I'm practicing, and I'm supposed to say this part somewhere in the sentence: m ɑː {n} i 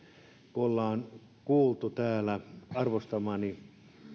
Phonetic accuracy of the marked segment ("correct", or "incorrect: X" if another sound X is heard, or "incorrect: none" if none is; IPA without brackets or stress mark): correct